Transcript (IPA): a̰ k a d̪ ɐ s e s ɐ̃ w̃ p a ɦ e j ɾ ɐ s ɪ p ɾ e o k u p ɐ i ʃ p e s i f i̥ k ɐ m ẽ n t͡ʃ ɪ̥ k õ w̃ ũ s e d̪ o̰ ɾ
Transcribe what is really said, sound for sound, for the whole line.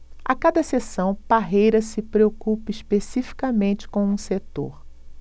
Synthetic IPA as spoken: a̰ k a d̪ ɐ s e s ɐ̃ w̃ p a ɦ e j ɾ ɐ s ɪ p ɾ e o k u p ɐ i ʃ p e s i f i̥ k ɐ m ẽ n t͡ʃ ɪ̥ k õ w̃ ũ s e t̪ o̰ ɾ